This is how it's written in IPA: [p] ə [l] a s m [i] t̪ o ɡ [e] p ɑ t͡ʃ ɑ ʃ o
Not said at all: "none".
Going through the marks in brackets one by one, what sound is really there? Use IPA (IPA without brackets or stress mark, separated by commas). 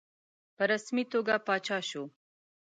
p, ɾ, i, a